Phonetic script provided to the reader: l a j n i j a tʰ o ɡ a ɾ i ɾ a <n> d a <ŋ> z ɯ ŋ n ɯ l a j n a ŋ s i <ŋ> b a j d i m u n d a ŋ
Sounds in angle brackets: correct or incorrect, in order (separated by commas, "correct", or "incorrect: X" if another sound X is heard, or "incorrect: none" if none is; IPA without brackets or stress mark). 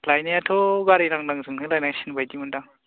incorrect: ŋ, correct, incorrect: n